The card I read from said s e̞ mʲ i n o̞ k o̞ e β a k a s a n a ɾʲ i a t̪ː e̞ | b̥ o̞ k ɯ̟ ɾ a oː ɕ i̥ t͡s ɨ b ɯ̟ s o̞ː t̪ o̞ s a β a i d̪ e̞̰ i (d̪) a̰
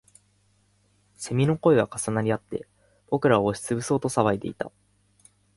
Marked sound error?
yes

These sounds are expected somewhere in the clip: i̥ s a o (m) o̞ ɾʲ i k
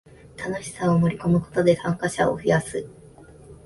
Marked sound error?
no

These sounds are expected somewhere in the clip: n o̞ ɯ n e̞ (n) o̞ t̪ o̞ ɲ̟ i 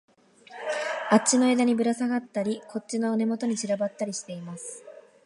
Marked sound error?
yes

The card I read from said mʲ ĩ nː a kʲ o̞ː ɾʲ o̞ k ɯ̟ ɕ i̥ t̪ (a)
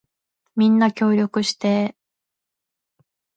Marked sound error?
yes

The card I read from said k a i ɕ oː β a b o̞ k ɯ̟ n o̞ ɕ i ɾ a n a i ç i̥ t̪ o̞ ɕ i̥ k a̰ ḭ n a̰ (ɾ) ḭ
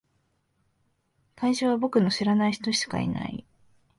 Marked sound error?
yes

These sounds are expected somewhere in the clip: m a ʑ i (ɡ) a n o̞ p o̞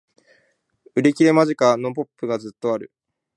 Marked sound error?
yes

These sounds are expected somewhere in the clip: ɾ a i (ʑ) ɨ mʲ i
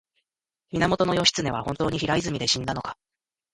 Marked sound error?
yes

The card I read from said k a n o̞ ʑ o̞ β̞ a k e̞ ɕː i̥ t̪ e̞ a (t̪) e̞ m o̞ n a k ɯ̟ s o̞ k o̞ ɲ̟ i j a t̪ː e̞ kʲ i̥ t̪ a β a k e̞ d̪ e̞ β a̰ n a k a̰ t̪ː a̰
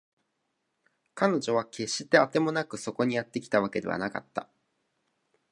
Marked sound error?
no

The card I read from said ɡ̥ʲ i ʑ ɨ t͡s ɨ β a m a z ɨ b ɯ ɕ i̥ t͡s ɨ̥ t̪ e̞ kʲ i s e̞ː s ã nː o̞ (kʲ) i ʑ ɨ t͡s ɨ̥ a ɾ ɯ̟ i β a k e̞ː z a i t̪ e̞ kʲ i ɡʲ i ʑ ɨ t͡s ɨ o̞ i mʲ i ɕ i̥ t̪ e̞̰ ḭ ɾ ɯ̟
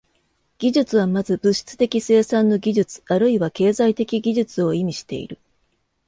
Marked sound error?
yes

